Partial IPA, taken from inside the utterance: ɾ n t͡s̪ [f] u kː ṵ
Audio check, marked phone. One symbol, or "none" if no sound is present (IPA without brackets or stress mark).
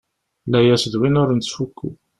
f